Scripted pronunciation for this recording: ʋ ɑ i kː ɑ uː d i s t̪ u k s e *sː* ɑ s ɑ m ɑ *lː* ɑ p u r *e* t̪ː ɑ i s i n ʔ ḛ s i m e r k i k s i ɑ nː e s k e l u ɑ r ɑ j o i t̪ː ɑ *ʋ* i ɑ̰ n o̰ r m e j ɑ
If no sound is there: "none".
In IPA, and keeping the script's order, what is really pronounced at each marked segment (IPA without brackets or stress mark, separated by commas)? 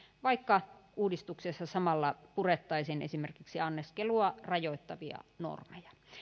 sː, lː, e, ʋ